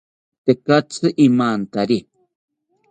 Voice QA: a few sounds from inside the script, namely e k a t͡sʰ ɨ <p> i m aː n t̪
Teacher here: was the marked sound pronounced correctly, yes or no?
no